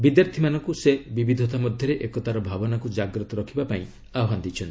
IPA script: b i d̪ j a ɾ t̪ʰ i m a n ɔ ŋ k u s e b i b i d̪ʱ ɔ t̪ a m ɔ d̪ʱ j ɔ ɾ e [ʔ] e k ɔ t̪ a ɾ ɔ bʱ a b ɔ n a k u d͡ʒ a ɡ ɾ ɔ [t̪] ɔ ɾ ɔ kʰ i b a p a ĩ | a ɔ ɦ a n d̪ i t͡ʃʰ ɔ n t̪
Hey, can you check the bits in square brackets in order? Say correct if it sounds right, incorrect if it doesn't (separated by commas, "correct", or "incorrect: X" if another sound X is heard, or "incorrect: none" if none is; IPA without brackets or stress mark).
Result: correct, correct